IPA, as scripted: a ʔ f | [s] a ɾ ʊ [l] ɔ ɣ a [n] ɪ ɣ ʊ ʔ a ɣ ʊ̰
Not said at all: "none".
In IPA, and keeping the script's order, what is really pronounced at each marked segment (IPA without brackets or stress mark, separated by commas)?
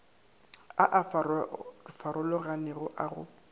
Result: f, l, n